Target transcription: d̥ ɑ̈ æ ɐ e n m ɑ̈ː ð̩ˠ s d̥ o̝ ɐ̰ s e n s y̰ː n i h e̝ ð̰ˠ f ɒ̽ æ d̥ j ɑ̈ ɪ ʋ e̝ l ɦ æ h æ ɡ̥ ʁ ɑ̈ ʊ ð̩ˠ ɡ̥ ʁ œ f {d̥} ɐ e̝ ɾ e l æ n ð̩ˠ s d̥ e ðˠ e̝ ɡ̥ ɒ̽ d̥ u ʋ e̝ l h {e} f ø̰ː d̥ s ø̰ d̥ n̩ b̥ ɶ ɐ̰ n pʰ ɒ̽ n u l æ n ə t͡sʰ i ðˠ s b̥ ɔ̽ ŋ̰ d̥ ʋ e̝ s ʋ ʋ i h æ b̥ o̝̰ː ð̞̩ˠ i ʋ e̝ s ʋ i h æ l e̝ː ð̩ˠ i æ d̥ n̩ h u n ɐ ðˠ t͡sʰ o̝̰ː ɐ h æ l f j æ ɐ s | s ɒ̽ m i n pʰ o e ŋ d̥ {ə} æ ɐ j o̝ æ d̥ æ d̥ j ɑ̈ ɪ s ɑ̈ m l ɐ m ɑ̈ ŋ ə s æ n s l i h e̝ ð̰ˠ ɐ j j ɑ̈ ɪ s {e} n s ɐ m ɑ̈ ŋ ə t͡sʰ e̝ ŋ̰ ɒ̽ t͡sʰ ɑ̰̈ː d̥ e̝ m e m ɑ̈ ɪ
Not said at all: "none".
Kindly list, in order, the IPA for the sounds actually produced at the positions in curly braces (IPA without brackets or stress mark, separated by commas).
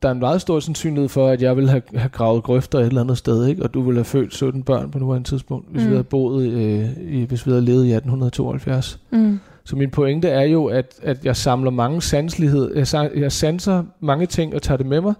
d̥, æ, ə, æ